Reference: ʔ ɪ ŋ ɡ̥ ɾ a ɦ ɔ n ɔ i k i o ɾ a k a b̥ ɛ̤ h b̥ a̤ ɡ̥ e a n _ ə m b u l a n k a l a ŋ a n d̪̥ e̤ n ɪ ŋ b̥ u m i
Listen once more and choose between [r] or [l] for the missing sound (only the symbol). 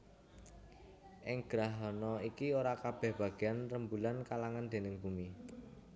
r